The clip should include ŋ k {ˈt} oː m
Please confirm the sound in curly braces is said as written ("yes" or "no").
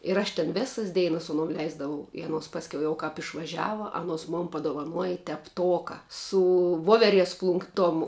yes